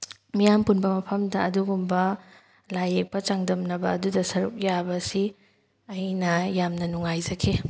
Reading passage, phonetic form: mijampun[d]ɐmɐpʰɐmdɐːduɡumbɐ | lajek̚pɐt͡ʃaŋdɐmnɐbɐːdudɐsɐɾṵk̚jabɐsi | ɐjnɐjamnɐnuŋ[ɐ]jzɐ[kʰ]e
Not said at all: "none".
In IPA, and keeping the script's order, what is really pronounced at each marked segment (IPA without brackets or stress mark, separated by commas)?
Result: b, a, kʰ